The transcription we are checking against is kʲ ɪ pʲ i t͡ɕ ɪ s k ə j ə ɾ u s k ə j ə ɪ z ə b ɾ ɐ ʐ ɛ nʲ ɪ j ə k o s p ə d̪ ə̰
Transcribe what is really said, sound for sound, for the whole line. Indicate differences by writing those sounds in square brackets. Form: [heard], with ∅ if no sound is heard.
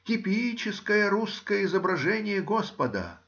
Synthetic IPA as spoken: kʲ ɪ pʲ i t͡ɕ ɪ s k ə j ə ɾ u s k ə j ə ɪ z ə b ɾ ɐ ʐ ɛ nʲ ɪ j ə [ɡ] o s p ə d̪ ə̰